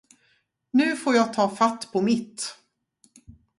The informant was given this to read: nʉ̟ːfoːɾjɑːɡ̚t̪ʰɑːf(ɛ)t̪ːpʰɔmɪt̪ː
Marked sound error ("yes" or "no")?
yes